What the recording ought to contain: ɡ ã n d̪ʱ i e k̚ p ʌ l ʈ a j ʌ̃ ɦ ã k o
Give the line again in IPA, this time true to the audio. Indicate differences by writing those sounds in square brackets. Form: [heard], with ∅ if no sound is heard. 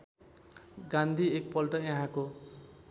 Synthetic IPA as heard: ɡ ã n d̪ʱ i e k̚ p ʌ l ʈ [ʌ] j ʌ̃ ɦ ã k o